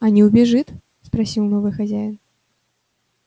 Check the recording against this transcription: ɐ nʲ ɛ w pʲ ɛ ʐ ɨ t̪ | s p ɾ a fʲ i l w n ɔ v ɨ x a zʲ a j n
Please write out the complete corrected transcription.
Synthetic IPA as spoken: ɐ nʲ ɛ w bʲ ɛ ʐ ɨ t̪ | s p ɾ a sʲ i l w n ɔ v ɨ x a zʲ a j n